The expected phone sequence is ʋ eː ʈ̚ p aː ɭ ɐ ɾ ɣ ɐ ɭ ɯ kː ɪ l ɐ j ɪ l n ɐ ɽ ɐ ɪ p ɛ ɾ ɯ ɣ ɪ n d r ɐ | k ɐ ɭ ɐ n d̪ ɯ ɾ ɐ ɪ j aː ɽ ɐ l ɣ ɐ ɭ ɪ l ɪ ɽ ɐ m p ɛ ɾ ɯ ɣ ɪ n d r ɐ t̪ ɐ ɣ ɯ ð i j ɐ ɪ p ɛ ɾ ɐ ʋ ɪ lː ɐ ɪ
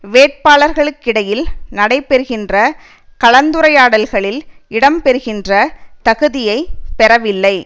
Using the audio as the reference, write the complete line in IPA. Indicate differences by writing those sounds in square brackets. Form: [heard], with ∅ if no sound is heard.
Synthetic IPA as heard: ʋ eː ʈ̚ p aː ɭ ɐ ɾ ɣ ɐ ɭ ɯ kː ɪ [ɽ] ɐ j ɪ l n ɐ ɽ ɐ ɪ p ɛ ɾ ɯ ɣ ɪ n d r ɐ | k ɐ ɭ ɐ n d̪ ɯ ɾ ɐ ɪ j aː ɽ ɐ l ɣ ɐ ɭ ɪ l ɪ ɽ ɐ m p ɛ ɾ ɯ ɣ ɪ n d r ɐ t̪ ɐ ɣ ɯ ð [ɪ] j ɐ ɪ p ɛ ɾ ɐ ʋ ɪ lː ɐ ɪ